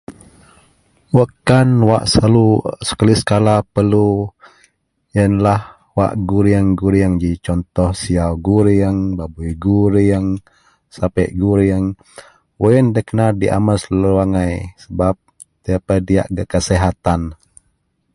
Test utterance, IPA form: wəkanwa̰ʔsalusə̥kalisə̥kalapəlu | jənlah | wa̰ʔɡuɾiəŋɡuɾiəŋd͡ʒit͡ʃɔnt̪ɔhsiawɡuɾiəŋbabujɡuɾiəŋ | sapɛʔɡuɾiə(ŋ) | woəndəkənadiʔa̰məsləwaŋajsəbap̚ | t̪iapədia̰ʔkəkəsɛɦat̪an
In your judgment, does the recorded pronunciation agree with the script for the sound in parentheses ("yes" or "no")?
yes